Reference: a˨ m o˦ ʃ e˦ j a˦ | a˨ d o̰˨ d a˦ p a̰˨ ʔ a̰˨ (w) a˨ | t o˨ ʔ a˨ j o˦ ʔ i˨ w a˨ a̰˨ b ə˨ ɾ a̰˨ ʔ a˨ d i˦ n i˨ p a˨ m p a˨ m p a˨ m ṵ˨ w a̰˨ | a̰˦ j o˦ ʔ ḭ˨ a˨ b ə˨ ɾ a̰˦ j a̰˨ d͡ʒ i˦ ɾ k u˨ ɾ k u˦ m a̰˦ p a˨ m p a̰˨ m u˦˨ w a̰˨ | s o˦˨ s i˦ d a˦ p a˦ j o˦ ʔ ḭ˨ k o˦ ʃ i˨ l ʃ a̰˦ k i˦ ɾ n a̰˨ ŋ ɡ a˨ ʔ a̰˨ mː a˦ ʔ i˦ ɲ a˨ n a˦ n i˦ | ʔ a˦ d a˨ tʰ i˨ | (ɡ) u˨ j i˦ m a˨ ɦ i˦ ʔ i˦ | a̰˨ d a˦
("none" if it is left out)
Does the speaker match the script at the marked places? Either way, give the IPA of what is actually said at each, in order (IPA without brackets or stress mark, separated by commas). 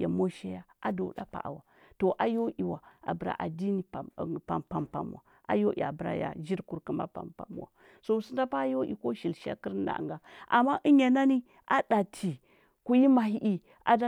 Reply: w, k